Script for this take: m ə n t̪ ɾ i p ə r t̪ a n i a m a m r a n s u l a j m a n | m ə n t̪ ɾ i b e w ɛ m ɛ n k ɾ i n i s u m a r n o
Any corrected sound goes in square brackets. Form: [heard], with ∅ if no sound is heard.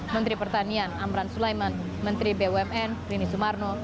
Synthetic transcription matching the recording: m ə n t̪ ɾ i p ə r t̪ a n i a [n] a m [ɾ] a n s u l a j m a n | m ə n t̪ ɾ i b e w ɛ m ɛ n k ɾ i n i s u m a r n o